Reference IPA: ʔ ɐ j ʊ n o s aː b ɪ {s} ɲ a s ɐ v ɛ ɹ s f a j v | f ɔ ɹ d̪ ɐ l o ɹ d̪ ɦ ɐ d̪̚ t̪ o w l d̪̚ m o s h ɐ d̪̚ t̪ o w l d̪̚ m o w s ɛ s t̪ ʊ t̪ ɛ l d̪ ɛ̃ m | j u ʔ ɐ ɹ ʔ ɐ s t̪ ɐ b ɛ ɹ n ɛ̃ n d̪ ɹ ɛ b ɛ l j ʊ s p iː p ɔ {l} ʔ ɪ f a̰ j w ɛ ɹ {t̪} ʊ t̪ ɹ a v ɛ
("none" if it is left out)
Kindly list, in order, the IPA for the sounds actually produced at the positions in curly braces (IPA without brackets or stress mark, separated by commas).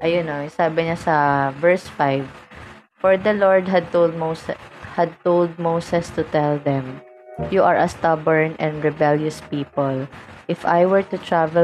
none, l, t̪